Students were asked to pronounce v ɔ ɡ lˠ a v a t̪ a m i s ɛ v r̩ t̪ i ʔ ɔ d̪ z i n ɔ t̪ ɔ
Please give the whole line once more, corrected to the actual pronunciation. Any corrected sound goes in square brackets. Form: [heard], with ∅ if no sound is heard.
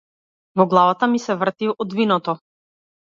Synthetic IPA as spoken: v ɔ ɡ lˠ a v a t̪ a m i s ɛ v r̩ t̪ i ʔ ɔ d̪ [v] i n ɔ t̪ ɔ